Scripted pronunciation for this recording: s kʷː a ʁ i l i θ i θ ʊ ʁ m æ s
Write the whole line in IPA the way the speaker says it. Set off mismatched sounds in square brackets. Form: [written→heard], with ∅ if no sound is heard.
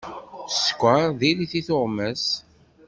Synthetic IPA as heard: s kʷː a [ʁ→ð] i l i θ i θ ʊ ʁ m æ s